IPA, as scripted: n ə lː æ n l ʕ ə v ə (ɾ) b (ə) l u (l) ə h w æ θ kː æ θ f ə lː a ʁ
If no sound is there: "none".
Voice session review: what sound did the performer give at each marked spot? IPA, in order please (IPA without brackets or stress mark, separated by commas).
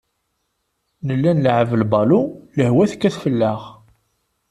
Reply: l, ɑ, l